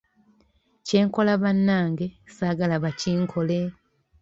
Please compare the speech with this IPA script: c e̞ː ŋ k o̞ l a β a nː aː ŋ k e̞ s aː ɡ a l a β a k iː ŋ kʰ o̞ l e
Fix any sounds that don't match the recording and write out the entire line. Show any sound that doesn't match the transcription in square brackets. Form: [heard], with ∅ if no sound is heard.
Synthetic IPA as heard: c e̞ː ŋ k o̞ l a β a nː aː ŋ [ɡ] e̞ s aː ɡ a l a β a [c] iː ŋ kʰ o̞ l e